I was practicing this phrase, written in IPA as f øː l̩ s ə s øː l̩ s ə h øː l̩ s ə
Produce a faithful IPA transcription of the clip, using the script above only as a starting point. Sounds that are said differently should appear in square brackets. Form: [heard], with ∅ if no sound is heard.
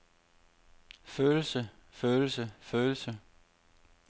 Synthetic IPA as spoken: f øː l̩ s ə [f] øː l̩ s ə [f] øː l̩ s ə